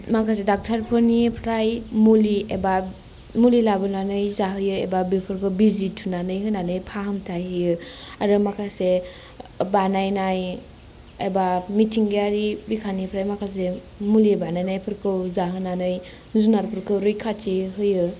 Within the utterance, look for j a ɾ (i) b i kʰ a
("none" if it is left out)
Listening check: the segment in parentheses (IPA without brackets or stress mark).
i